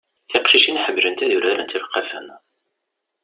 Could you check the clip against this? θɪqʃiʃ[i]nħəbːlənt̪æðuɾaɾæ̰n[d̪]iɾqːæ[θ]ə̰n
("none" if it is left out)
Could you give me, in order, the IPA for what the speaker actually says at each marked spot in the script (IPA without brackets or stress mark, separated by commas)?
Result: i, t̪, f